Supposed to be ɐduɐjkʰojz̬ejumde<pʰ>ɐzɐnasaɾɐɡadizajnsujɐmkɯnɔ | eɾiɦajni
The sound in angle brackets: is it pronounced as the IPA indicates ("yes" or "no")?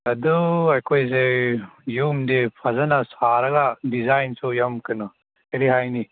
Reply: yes